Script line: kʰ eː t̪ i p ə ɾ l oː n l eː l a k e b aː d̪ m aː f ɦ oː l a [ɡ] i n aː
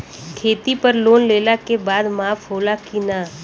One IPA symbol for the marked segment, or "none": k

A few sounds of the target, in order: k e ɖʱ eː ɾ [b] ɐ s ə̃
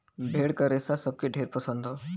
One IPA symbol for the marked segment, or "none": p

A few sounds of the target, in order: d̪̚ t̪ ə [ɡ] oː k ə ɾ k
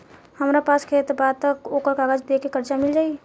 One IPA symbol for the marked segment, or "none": k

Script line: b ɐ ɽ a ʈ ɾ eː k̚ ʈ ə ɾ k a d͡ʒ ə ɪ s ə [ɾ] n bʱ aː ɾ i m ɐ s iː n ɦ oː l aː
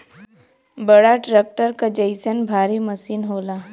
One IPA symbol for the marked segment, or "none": none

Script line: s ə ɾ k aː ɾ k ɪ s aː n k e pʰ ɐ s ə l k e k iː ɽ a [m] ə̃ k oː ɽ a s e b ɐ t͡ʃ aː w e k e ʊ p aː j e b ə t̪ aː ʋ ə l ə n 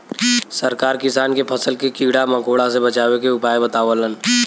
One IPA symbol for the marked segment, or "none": m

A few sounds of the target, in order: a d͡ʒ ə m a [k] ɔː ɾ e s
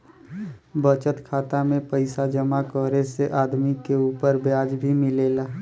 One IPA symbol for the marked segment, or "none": k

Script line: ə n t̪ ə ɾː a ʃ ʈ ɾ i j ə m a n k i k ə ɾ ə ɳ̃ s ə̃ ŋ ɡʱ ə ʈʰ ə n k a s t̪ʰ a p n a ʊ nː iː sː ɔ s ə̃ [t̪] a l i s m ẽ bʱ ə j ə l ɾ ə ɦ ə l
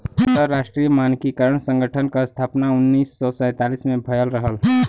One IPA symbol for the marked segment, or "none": t̪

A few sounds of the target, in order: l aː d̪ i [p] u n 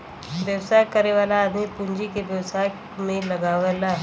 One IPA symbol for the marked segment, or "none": p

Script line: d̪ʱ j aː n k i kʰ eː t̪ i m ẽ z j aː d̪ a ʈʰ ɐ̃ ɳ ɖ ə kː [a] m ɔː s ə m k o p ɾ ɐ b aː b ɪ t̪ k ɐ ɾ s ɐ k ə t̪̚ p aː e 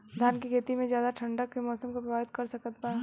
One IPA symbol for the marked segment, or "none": e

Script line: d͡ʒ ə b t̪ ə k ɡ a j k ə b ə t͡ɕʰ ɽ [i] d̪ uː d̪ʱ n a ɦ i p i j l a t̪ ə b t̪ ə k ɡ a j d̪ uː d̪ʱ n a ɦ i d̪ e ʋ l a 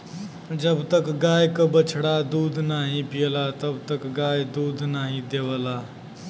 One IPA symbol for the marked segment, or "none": a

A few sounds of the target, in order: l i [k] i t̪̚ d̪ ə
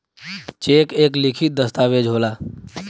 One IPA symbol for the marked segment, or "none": kʰ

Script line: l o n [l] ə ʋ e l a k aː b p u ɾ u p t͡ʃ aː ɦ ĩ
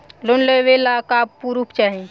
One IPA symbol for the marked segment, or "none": l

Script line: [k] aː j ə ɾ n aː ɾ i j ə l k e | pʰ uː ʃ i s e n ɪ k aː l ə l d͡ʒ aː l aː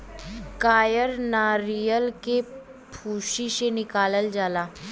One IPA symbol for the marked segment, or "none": k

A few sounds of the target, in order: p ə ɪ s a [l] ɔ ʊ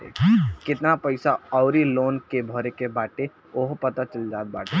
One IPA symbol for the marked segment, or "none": none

